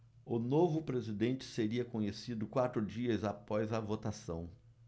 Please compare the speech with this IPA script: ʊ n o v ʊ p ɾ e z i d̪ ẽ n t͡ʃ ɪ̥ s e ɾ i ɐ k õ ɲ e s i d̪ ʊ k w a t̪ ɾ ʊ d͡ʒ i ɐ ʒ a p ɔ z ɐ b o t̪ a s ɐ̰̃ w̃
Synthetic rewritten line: ʊ n o v ʊ p ɾ e z i d̪ ẽ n t͡ʃ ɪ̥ s e ɾ i ɐ k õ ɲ e s i d̪ ʊ k w a t̪ ɾ ʊ d͡ʒ i ɐ z a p ɔ z ɐ v o t̪ a s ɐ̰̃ w̃